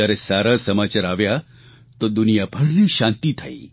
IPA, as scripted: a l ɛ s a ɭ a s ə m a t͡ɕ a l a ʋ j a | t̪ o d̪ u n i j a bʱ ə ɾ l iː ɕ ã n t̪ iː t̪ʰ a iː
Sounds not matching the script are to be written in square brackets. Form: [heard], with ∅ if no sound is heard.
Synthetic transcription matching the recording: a [ɾ] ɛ s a [ɾ] a s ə m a t͡ɕ a [ɾ] a ʋ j a | t̪ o d̪ u n i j a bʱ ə [ɽ] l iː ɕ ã n t̪ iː t̪ʰ a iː